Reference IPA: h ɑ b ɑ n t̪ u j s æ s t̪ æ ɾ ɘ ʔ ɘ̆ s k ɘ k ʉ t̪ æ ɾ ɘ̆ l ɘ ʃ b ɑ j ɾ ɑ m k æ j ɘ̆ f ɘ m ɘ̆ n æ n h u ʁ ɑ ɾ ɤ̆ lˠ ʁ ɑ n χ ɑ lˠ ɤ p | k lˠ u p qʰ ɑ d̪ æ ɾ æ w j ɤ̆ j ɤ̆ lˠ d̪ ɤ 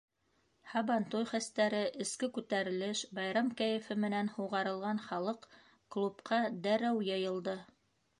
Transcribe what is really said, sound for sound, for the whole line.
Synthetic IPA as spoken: h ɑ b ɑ n t̪ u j χ æ s t̪ æ ɾ ɘ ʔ ɘ̆ s k ɘ k ʉ t̪ æ ɾ ɘ̆ l ɘ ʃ b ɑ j ɾ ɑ m k æ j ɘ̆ f ɘ m ɘ̆ n æ n h u ʁ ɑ ɾ ɤ̆ lˠ ʁ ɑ n χ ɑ lˠ ɤ q | k lˠ u p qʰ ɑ d̪ æ ɾ æ w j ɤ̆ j ɤ̆ lˠ d̪ ɤ